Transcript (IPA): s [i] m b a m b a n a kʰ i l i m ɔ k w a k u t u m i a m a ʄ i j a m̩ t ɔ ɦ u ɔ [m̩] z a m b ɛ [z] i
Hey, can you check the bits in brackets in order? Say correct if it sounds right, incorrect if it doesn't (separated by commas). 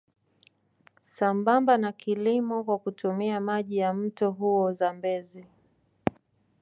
incorrect, incorrect, correct